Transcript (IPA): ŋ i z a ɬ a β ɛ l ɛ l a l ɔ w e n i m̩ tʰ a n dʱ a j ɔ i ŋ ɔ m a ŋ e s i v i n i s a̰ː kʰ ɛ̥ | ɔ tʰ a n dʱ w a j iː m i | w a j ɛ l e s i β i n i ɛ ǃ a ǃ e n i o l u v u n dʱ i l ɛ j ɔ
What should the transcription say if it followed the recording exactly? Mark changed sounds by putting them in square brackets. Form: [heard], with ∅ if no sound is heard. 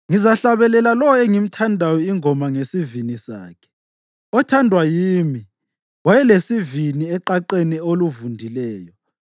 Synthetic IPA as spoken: ŋ i z a ɬ a β ɛ l ɛ l a l ɔ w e [ŋ] i m̩ tʰ a n dʱ a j ɔ i ŋ ɔ m a ŋ e s i v i n i s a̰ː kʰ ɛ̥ | ɔ tʰ a n dʱ w a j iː m i | w a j ɛ l e s i [v] i n i ɛ ǃ a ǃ e n i o l u v u n dʱ i l [ɛː] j ɔ